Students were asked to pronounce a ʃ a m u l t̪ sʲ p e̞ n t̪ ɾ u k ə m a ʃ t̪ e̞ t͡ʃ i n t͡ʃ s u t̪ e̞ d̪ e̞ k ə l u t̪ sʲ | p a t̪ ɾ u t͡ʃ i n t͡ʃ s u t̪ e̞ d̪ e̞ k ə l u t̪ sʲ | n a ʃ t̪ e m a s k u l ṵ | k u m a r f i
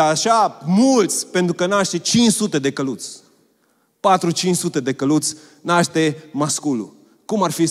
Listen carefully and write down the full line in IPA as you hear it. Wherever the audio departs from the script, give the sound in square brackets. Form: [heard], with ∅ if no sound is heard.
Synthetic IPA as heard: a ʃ a m u l t̪ sʲ p e̞ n t̪ ɾ u k ə [n] a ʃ t̪ e̞ t͡ʃ i n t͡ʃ s u t̪ e̞ d̪ e̞ k ə l u t̪ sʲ | p a t̪ ɾ u t͡ʃ i n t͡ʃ s u t̪ e̞ d̪ e̞ k ə l u t̪ sʲ | n a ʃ t̪ e m a s k u l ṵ | k u m a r f i